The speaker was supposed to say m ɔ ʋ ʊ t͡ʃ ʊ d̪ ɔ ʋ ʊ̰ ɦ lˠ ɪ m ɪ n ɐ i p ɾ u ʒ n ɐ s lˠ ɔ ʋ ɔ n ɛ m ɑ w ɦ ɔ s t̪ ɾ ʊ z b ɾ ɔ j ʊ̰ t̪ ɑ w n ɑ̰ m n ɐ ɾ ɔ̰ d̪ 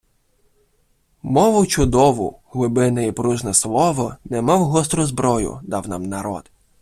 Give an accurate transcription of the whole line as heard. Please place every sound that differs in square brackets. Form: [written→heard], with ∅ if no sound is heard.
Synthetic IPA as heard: m ɔ ʋ ʊ t͡ʃ ʊ d̪ ɔ ʋ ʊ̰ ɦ lˠ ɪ [m→b] ɪ n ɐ i p ɾ u ʒ n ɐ s lˠ ɔ ʋ ɔ n ɛ m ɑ w ɦ ɔ s t̪ ɾ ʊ z b ɾ ɔ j ʊ̰ [t̪→d̪] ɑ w n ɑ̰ m n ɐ ɾ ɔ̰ d̪